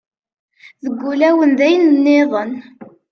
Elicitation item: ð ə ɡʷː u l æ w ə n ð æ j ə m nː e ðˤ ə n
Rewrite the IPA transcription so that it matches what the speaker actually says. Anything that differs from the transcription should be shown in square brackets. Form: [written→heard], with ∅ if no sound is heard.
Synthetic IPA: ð ə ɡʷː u l æ w ə n ð æ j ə [m→n] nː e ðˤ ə n